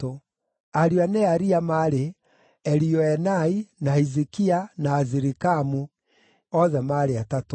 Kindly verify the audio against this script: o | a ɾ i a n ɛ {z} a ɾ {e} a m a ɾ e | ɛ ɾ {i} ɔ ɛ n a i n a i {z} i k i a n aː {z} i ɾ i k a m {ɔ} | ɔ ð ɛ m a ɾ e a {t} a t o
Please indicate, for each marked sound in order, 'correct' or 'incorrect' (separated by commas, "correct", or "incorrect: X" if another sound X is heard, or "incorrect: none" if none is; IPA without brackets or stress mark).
incorrect: none, incorrect: i, correct, correct, correct, incorrect: u, correct